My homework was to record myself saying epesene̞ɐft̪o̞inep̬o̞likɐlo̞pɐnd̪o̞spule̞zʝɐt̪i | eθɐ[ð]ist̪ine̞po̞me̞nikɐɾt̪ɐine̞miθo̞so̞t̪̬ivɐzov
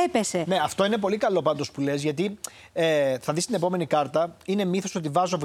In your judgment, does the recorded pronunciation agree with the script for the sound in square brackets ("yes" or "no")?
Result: yes